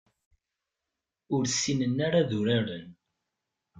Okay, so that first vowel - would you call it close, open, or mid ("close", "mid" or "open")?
close